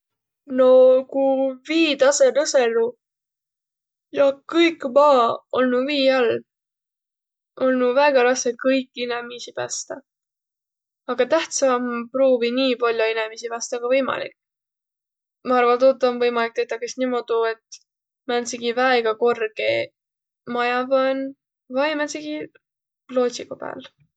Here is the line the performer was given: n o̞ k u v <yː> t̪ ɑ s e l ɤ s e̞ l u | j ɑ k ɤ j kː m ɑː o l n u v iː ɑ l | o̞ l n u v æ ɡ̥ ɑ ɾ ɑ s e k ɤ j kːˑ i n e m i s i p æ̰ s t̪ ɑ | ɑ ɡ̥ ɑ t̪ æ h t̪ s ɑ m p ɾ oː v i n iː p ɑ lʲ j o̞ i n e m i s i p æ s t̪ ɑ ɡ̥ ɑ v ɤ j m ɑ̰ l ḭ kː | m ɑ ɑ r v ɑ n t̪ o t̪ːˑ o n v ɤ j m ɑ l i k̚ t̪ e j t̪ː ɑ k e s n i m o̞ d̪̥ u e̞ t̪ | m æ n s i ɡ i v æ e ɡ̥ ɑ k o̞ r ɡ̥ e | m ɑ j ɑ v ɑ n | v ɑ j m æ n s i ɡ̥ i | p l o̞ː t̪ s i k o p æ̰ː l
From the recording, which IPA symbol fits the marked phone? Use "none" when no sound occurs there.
iː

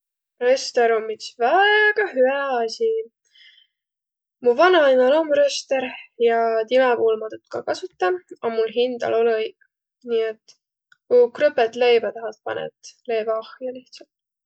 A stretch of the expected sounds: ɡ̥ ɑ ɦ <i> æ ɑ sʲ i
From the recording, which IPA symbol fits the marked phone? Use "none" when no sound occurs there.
y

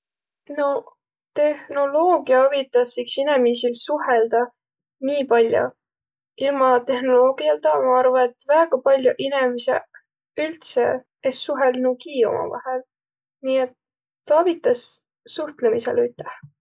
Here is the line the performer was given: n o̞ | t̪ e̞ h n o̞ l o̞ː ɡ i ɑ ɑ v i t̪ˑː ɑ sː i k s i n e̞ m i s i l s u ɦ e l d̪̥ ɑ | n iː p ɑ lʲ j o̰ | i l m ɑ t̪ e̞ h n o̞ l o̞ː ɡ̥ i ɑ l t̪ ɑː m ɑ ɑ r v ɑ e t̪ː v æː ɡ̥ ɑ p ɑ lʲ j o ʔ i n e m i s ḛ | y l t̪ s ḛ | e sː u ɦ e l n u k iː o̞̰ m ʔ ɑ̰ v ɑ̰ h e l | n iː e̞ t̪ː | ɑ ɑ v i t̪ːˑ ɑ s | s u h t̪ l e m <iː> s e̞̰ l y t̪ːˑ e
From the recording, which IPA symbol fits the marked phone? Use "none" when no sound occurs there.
i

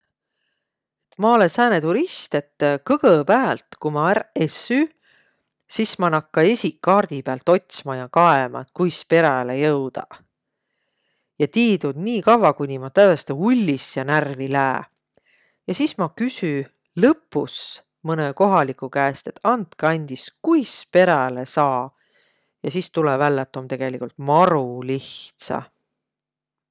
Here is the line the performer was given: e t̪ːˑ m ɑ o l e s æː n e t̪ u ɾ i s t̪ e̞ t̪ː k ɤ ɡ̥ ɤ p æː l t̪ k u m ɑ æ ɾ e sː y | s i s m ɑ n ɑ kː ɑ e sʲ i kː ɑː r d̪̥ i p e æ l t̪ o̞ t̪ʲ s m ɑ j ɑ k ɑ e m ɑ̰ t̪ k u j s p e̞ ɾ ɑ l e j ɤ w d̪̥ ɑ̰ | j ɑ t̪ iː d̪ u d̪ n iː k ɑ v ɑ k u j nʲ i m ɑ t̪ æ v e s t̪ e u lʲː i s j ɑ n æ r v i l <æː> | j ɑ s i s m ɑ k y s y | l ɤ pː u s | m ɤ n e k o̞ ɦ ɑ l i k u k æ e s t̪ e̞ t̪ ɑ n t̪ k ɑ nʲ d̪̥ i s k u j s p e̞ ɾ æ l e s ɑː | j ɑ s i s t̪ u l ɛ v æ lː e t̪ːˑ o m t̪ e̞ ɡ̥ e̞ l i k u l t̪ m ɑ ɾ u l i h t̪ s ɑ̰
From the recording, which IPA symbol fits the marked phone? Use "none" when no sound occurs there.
æː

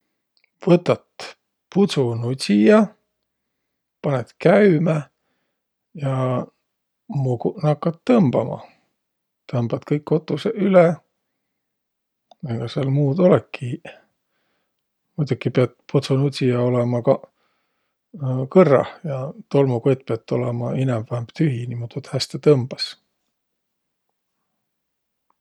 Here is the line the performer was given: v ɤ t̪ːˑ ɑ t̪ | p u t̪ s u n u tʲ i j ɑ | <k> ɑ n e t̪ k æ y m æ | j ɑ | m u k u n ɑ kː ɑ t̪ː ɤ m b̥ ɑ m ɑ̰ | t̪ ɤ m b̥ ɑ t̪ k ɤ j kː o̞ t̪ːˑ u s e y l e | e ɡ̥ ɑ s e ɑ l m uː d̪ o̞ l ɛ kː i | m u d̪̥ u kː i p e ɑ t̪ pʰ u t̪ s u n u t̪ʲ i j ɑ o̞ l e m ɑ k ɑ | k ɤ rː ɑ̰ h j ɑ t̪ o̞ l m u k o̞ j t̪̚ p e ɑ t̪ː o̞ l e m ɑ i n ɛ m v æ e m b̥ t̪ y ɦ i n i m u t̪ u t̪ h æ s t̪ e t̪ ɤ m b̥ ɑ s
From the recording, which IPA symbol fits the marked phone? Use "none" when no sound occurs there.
p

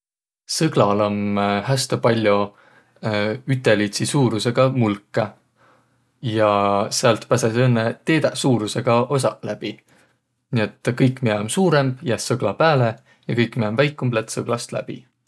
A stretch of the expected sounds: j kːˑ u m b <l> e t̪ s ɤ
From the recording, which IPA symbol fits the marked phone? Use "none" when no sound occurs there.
l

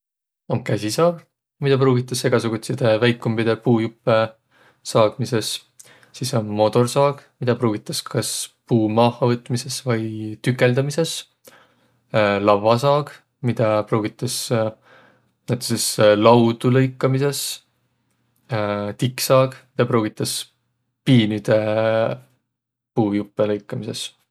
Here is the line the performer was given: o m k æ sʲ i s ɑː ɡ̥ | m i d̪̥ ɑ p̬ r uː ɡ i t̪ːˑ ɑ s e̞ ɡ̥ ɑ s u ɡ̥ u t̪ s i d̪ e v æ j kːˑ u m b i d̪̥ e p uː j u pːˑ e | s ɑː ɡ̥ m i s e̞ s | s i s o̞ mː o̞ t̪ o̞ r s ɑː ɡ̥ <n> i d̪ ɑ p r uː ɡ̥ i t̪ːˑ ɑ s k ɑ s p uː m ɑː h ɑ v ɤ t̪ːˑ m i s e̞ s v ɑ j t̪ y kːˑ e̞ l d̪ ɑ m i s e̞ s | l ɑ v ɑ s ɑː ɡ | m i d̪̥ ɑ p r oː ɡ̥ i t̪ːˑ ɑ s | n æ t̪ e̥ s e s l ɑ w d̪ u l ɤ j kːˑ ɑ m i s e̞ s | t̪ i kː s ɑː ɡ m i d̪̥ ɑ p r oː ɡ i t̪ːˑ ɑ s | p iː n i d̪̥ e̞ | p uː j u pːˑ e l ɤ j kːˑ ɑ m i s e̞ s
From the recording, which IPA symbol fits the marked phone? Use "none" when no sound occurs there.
m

